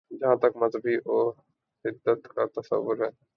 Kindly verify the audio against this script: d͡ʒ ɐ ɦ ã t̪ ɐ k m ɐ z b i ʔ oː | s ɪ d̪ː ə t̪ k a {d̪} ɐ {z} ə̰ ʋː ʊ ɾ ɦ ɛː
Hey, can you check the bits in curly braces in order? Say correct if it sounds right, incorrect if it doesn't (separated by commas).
incorrect, incorrect